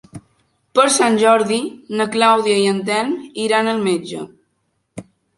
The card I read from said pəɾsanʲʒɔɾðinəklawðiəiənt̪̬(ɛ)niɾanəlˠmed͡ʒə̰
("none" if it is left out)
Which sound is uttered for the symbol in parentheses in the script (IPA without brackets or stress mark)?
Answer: ɛ